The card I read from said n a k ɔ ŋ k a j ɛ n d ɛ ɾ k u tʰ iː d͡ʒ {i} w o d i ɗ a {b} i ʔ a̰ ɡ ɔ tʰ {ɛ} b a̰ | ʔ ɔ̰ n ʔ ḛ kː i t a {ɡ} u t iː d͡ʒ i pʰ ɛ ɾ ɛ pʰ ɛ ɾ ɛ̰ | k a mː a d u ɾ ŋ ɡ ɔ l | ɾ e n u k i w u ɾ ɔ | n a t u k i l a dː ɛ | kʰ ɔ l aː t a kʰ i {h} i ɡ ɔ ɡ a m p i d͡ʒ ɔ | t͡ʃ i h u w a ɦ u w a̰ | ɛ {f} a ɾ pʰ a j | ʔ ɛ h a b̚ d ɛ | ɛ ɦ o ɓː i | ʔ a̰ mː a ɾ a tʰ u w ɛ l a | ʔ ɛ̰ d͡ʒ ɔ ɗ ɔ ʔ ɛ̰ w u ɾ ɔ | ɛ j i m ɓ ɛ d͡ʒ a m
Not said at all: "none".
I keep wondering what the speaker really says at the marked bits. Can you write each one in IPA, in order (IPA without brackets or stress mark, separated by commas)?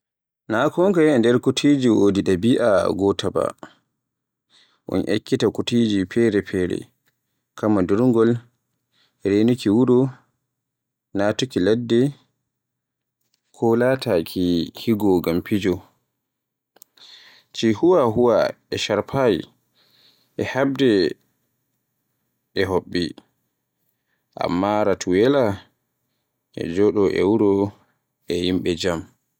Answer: i, b, a, k, h, ʃ